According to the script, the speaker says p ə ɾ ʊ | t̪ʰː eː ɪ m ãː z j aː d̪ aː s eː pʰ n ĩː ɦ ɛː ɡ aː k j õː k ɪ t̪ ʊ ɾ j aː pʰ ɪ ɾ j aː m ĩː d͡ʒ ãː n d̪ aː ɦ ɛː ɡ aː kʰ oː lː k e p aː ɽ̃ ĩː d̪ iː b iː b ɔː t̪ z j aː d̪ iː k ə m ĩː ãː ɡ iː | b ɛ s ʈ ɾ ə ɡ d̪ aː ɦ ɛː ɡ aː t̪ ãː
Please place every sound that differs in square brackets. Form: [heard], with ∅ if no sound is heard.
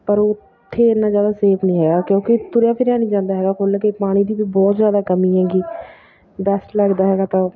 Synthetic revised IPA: p ə ɾ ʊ | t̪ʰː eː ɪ [n] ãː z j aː d̪ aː s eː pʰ n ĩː ɦ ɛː ɡ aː k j õː k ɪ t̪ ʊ ɾ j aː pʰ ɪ ɾ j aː [n] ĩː d͡ʒ ãː n d̪ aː ɦ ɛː ɡ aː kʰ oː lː k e p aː ɽ̃ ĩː d̪ iː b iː b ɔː t̪ z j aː d̪ [aː] k ə m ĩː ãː ɡ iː | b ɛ s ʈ [l] ə ɡ d̪ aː ɦ ɛː ɡ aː t̪ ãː